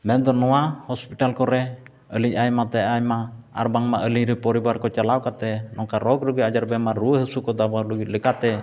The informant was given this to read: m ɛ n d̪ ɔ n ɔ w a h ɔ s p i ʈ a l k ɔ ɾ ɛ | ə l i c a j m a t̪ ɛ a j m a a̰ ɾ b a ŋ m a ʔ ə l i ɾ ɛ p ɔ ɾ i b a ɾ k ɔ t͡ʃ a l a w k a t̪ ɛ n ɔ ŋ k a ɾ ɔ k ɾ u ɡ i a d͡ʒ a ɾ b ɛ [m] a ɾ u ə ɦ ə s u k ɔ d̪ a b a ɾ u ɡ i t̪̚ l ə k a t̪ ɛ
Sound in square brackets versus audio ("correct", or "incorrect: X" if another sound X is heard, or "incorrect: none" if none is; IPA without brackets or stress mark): correct